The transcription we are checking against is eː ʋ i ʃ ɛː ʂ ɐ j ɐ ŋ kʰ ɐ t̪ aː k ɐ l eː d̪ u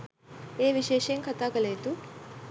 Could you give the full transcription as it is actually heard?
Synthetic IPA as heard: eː ʋ i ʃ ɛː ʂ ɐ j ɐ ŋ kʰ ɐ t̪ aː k ɐ l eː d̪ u